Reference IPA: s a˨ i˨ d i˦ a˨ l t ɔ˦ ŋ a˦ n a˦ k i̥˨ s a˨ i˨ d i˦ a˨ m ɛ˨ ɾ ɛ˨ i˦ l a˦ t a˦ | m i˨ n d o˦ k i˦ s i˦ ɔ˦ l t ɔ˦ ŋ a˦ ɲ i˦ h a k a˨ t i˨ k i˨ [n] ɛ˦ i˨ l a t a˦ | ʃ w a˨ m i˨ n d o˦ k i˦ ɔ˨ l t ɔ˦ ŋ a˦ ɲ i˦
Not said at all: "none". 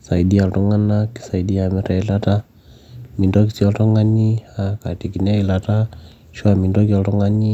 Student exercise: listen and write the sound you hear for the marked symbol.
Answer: n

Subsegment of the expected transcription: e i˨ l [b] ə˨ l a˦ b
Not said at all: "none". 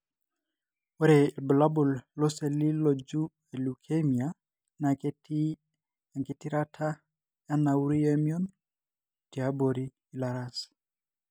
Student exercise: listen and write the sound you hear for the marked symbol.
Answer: b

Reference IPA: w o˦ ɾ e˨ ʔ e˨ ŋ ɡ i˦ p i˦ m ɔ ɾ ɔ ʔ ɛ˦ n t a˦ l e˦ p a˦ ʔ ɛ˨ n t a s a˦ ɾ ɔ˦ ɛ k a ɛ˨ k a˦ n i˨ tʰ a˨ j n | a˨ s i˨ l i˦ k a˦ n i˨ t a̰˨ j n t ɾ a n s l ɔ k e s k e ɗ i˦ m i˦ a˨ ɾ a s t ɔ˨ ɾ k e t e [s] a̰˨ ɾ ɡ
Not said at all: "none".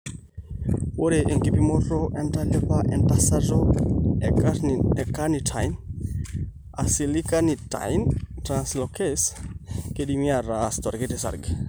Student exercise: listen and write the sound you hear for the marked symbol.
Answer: s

